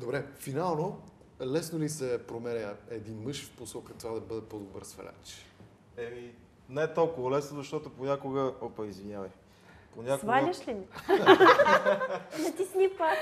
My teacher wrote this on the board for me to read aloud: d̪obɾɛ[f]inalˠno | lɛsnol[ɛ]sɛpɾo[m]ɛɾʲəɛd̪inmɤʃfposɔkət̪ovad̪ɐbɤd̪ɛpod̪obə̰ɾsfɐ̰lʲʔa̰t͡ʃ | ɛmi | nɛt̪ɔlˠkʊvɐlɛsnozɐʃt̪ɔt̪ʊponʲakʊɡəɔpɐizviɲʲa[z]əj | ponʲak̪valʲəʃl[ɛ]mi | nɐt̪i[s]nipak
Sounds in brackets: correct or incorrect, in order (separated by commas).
correct, incorrect, correct, incorrect, incorrect, correct